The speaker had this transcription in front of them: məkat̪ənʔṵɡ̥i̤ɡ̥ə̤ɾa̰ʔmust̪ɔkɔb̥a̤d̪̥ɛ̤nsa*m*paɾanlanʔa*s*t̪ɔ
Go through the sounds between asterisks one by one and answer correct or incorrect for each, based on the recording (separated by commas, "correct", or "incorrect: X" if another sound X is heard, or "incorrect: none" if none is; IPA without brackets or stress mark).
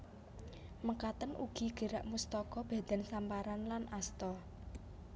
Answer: correct, correct